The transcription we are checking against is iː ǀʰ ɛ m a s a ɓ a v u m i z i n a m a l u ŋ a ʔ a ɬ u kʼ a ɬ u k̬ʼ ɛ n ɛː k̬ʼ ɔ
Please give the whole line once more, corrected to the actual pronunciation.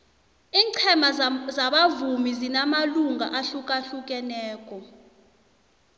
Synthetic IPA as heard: iː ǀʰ ɛ m a z a ɓ a v u m i z i n a m a l u ŋ a ʔ a ɬ u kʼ a ɬ u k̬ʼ ɛ n ɛː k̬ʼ ɔ